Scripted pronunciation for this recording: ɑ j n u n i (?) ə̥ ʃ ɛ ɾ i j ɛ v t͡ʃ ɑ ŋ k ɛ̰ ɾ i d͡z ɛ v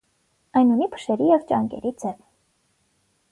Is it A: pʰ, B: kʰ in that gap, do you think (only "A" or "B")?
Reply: A